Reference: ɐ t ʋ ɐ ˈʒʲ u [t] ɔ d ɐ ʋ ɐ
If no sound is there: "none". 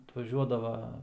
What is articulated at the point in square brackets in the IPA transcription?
none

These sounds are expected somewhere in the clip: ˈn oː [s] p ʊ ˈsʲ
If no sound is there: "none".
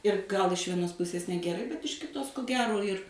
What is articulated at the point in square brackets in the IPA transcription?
s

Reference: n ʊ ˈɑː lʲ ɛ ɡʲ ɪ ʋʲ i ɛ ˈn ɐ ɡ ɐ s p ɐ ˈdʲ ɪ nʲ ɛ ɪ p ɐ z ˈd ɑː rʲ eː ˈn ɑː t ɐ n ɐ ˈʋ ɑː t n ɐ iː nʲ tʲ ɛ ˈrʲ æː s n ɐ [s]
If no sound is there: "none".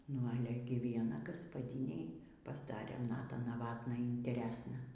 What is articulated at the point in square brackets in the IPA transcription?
none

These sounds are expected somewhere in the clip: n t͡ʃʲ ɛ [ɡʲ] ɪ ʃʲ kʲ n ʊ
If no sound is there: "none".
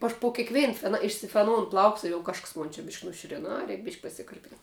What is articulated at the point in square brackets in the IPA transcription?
bʲ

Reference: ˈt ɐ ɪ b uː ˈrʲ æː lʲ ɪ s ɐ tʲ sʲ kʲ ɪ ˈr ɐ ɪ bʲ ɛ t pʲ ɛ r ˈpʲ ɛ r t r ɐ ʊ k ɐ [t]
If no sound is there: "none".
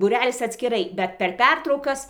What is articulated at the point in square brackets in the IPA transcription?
s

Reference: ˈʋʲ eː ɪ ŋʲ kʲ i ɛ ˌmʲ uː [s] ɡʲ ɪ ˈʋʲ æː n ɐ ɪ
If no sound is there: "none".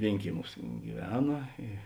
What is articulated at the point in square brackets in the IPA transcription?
s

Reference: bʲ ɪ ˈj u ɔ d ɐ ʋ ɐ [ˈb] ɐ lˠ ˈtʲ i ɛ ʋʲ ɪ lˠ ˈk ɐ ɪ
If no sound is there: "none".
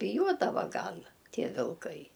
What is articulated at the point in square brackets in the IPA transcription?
ɡ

